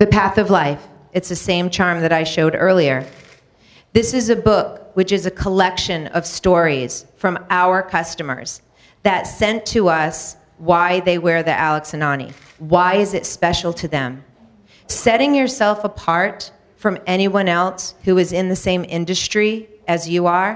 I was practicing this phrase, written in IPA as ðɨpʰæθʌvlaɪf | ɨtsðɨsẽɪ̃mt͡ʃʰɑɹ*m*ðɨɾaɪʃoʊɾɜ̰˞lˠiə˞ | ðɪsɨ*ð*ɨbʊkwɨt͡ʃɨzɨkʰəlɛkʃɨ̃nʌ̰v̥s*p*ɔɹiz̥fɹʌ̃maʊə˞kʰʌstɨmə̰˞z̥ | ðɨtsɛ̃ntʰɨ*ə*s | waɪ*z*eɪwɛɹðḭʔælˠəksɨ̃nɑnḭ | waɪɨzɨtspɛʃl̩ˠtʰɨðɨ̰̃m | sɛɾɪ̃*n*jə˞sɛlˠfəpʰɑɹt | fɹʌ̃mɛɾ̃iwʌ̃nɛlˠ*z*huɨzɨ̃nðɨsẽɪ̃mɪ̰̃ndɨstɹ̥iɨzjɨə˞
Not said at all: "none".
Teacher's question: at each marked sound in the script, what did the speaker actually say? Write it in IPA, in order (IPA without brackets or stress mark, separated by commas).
m, z, t, ʌ, ð, ŋ, s